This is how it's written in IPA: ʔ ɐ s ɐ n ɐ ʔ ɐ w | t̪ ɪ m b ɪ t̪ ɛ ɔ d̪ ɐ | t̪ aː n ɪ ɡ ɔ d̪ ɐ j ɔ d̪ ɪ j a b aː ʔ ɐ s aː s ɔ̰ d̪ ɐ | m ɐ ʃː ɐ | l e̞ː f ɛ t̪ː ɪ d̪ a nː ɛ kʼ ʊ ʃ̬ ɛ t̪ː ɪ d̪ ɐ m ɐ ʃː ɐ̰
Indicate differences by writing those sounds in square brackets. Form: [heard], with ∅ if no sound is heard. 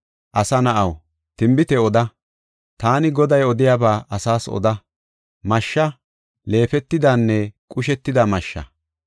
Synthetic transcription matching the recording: ʔ ɐ s ɐ n ɐ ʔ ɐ w | t̪ ɪ m b ɪ t̪ ɛ ɔ d̪ ɐ | t̪ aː n ɪ ɡ ɔ d̪ ɐ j ɔ d̪ ɪ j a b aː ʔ ɐ s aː s ɔ̰ d̪ ɐ | m ɐ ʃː ɐ | l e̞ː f ɛ t̪ː ɪ d̪ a nː ɛ kʼ ʊ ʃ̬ ɛ t̪ː ɪ d̪ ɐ m ɐ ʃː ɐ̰